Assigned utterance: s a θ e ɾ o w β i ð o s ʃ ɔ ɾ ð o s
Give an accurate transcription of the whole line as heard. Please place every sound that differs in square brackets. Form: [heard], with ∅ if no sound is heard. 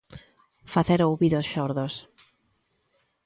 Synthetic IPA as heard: [f] a θ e ɾ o w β i ð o s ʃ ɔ ɾ ð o s